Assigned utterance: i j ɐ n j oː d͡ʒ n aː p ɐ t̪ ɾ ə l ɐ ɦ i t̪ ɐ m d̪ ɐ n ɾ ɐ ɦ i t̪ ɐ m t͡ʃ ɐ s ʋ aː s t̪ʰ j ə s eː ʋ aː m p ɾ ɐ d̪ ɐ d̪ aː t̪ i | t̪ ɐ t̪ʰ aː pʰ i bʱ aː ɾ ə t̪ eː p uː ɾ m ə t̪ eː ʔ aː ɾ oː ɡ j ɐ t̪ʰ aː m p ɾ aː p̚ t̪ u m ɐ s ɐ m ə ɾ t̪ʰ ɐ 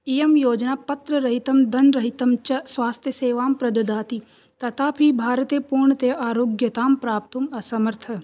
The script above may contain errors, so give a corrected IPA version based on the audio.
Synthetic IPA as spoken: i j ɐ m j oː d͡ʒ n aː p ɐ t̪ ɾ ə ɾ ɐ ɦ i t̪ ɐ m d̪ ɐ n ɾ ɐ ɦ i t̪ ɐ m t͡ʃ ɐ s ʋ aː s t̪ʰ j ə s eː ʋ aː m p ɾ ɐ d̪ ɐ d̪ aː t̪ i | t̪ ɐ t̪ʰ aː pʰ i bʱ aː ɾ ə t̪ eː p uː ɾ ɳ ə t̪ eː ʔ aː ɾ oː ɡ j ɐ t̪ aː m p ɾ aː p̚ t̪ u m ɐ s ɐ m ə ɾ t̪ʰ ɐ